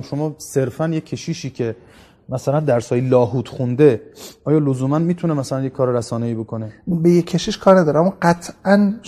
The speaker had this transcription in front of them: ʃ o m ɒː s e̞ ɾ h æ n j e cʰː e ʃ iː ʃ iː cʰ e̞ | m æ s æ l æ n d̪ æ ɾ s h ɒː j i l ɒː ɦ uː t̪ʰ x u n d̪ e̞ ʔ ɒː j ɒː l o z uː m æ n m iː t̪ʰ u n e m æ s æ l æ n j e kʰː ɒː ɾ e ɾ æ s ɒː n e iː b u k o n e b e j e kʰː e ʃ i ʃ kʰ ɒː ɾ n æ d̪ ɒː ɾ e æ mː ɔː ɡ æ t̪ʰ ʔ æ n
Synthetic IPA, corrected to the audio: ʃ o m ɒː s e̞ ɾ f æ n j e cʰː e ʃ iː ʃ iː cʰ e̞ | m æ s æ l æ n d̪ æ ɾ s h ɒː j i l ɒː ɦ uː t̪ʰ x u n d̪ e̞ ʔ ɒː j ɒː l o z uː m æ n m iː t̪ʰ u n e m æ s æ l æ n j e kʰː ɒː ɾ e ɾ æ s ɒː n e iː b o k o n e b e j e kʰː e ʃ i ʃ kʰ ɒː ɾ n æ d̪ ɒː ɾ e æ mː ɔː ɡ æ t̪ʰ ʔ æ n